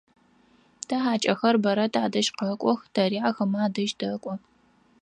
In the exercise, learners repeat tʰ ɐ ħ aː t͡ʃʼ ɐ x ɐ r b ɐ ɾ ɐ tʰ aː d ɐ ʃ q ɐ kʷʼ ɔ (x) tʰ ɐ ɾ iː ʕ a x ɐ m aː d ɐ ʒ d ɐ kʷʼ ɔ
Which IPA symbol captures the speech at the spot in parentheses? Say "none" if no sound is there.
x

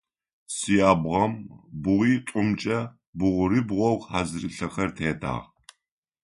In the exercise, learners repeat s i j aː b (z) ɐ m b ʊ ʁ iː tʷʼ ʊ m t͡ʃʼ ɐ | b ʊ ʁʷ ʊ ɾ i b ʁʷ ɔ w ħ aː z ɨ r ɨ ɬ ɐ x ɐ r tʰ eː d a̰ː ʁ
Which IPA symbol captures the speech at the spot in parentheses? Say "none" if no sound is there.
ʁ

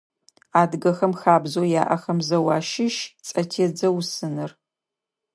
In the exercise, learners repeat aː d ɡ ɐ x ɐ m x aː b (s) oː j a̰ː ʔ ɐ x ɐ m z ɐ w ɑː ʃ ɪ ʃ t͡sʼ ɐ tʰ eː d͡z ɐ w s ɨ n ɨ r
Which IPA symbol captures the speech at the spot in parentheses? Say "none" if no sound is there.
z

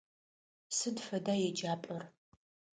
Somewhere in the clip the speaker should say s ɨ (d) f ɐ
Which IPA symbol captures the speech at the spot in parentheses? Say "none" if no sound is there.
d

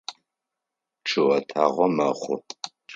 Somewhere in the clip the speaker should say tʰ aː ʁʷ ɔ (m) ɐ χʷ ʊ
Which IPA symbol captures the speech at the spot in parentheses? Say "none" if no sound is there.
m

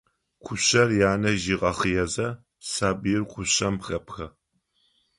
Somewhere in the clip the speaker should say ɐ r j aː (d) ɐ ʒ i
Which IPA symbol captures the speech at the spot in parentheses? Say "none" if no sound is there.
n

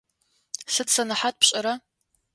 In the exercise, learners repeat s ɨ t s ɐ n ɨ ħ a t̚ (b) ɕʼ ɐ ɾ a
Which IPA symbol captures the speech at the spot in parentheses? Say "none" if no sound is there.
p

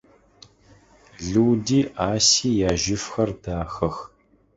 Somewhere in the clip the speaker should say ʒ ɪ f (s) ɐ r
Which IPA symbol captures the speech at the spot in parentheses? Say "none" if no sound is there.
x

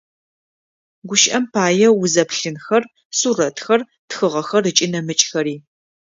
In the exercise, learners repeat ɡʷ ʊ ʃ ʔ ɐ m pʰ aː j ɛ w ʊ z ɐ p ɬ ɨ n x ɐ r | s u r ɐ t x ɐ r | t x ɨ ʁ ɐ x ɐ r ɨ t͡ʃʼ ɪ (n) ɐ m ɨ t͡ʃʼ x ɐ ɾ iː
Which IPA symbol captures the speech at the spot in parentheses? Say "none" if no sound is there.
n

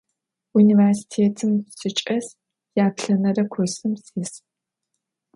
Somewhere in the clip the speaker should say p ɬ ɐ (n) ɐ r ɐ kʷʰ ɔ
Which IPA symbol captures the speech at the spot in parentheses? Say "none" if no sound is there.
n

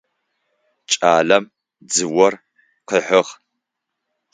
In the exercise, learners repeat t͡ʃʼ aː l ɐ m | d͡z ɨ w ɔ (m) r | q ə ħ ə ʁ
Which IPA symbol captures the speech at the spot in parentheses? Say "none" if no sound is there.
none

